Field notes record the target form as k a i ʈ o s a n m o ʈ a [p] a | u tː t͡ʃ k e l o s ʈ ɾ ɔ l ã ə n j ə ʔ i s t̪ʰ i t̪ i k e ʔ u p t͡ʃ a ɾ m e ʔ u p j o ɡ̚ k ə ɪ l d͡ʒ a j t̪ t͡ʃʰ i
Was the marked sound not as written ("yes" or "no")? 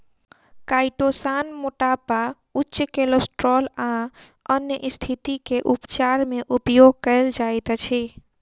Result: no